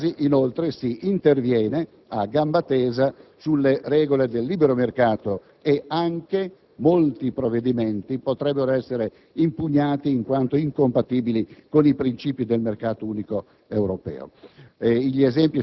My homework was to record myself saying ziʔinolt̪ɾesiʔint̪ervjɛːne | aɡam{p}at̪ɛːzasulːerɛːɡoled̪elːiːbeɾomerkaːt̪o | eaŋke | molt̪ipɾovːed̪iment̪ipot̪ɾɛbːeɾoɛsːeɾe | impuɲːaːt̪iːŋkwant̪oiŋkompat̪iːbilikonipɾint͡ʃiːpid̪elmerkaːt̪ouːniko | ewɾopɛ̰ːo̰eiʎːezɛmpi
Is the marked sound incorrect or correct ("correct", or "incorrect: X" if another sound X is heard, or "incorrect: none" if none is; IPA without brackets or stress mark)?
incorrect: b